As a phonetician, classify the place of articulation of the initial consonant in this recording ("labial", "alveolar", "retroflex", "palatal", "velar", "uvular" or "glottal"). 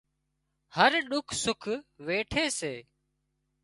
glottal